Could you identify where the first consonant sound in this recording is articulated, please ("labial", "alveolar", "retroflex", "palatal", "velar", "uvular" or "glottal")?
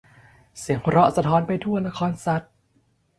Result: alveolar